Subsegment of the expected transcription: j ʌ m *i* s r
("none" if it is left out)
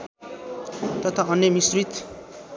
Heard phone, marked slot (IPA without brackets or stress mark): i